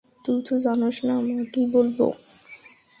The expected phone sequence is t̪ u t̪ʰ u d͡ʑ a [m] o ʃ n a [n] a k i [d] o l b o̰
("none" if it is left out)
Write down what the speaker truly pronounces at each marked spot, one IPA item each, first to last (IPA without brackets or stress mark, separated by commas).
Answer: n, m, b